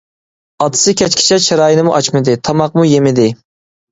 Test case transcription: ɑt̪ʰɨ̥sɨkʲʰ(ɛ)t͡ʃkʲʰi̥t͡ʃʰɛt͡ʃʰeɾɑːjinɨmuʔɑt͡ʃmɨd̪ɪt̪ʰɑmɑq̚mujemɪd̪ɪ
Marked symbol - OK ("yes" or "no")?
yes